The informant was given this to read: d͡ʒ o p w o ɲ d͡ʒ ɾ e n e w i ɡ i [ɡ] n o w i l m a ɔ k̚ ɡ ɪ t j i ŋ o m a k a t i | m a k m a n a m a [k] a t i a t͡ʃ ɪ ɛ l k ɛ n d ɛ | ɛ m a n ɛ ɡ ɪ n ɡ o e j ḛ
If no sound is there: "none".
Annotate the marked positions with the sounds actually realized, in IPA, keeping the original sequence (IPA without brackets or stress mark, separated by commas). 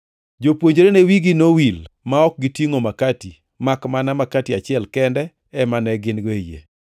none, k